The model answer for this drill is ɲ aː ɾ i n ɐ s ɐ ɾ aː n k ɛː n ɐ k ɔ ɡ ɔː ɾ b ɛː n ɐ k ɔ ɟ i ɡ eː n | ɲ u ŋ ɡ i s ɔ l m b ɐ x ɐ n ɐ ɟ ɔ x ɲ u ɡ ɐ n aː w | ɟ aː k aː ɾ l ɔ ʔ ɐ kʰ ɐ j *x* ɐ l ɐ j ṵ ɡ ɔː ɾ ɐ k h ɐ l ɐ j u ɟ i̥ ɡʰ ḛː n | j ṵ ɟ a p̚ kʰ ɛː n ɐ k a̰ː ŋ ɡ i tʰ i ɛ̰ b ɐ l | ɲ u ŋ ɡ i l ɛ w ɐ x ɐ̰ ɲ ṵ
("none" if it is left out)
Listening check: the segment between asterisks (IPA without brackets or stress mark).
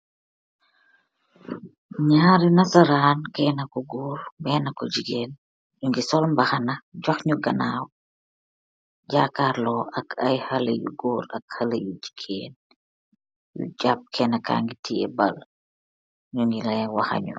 h